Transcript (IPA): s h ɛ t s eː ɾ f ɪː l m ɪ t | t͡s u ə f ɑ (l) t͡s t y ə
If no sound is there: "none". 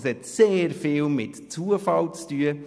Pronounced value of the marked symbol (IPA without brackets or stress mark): l